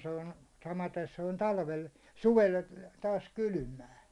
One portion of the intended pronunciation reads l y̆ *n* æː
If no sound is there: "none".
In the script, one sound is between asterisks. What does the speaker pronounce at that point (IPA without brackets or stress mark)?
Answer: m